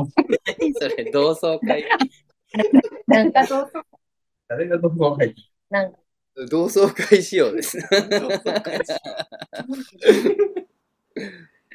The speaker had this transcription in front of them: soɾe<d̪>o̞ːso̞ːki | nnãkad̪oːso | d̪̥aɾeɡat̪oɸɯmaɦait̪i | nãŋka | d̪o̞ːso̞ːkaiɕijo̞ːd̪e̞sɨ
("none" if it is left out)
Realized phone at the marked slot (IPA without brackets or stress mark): d̪